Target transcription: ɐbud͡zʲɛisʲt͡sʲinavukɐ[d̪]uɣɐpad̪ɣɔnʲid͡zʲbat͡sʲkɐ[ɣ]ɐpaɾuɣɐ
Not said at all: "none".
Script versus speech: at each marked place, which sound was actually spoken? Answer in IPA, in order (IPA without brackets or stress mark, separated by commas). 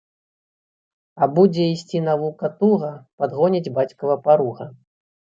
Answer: t̪, v